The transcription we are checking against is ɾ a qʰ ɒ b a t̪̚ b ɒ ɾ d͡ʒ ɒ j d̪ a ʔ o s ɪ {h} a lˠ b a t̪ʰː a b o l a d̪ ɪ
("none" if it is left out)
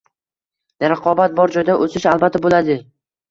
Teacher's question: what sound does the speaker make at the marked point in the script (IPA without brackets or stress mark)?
ʃ